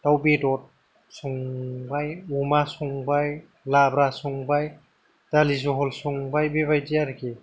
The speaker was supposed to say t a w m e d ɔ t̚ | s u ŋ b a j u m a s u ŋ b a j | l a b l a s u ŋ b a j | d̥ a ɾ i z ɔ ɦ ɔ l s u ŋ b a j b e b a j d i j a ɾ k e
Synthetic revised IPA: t a w b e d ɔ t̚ | s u ŋ b a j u m a s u ŋ b a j | l a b ɾ a s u ŋ b a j | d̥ a l i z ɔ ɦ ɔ l s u ŋ b a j b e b a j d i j a ɾ k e